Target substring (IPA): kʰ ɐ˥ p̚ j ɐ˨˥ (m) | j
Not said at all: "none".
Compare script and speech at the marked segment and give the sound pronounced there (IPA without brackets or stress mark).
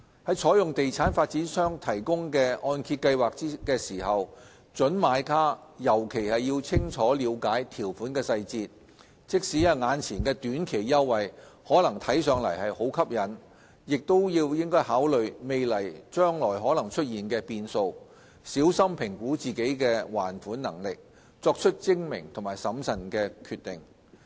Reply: n